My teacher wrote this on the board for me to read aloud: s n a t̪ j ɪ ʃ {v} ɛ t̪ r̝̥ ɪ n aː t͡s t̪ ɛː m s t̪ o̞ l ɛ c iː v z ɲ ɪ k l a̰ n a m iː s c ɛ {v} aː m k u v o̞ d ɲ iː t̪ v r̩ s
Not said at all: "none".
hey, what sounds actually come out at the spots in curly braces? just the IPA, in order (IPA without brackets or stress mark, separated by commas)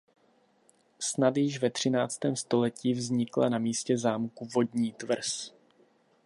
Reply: v, z